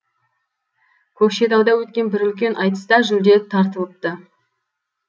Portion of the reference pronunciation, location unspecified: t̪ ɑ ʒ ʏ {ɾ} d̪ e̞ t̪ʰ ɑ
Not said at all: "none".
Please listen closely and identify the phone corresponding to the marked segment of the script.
l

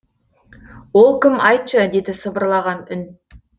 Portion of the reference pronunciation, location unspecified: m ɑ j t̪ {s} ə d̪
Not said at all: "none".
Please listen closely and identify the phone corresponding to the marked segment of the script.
ʃ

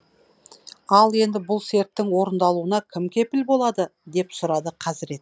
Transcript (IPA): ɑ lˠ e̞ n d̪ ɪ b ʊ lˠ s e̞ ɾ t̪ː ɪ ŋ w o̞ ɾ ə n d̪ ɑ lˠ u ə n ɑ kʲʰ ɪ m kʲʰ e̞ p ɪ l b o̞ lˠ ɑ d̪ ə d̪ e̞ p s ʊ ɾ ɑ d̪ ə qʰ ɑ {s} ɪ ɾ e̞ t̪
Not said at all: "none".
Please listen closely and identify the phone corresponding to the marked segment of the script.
z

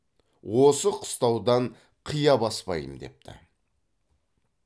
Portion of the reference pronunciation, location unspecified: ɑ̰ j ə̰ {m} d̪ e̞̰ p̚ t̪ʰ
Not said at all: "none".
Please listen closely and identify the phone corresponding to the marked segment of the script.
m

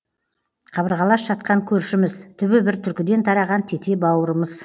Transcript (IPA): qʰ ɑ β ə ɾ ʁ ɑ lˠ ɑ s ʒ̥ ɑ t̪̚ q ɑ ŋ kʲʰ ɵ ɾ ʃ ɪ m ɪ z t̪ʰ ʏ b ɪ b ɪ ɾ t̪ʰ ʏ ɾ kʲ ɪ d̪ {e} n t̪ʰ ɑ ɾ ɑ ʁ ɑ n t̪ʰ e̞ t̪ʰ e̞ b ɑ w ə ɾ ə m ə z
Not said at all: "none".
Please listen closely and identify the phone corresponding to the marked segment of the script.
e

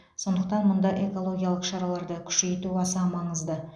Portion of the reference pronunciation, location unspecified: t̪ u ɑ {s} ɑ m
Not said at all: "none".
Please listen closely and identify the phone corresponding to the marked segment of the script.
s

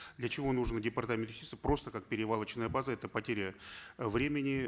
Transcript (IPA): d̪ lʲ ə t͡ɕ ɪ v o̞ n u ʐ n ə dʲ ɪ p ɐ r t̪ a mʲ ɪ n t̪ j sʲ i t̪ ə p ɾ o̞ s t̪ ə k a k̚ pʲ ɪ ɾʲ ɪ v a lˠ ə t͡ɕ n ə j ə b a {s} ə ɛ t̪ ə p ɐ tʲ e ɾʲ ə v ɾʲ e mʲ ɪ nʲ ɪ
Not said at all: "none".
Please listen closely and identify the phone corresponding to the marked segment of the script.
z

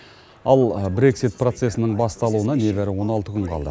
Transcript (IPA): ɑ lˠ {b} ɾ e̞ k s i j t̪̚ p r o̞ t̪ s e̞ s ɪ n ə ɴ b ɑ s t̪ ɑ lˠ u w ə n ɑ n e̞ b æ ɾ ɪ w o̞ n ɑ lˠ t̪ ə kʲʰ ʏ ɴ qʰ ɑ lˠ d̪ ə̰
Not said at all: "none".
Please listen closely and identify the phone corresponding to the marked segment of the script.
b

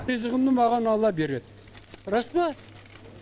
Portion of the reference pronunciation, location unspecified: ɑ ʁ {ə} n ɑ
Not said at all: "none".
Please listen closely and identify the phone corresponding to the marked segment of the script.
ɑ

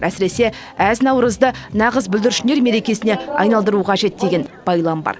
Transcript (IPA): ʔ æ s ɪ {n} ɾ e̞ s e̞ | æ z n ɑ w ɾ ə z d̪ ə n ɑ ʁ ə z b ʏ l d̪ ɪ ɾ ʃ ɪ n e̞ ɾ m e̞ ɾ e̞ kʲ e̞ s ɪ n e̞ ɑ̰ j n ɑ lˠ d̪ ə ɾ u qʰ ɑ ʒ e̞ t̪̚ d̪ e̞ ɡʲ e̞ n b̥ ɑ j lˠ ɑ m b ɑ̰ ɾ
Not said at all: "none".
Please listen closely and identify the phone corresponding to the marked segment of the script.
none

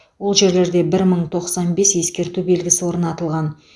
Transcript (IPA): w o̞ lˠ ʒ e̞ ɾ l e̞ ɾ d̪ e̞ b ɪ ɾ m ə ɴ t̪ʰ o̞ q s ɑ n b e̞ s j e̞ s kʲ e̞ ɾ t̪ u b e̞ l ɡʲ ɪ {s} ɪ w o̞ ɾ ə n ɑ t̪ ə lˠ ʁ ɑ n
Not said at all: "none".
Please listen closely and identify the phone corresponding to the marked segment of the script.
s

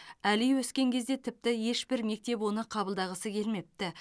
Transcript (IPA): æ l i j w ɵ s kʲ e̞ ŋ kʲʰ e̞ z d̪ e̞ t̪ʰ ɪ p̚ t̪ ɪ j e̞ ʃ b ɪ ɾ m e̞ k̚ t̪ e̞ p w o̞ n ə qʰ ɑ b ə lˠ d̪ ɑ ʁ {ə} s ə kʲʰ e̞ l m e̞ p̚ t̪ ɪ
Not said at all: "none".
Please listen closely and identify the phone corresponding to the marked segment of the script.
ə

